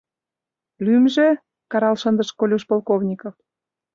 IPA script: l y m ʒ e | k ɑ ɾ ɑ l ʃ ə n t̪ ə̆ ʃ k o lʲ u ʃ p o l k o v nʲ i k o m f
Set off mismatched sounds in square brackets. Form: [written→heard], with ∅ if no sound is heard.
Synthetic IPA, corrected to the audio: l y m ʒ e | k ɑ ɾ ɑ l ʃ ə n [t̪→d̪] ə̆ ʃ k o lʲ u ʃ p o l k o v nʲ i k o [m→∅] f